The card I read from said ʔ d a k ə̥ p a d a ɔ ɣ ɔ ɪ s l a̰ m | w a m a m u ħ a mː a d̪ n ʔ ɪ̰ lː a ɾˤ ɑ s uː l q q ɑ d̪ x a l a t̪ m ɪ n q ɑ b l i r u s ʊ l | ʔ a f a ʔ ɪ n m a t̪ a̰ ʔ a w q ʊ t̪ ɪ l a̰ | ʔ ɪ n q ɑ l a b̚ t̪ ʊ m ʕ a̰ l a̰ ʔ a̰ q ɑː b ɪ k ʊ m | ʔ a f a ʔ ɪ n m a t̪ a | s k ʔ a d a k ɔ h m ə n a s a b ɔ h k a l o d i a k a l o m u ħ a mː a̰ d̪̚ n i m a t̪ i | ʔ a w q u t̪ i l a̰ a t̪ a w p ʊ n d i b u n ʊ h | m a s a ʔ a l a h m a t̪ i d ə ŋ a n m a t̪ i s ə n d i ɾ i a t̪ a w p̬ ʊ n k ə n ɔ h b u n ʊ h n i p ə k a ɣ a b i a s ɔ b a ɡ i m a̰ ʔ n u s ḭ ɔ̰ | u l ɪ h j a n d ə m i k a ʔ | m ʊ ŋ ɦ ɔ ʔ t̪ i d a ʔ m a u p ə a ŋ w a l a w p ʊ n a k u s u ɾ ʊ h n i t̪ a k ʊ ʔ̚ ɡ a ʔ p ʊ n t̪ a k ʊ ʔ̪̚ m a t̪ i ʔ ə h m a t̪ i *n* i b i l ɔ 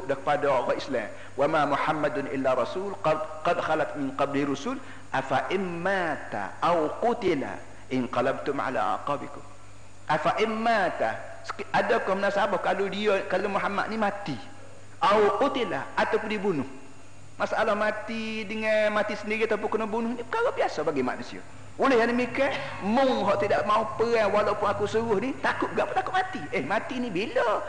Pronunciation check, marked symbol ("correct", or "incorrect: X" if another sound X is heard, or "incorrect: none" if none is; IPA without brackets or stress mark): correct